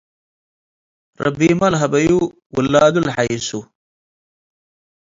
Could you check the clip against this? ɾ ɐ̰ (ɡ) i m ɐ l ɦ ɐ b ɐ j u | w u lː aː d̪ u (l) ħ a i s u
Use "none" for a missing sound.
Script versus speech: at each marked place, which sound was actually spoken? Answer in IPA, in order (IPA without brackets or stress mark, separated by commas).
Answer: b, l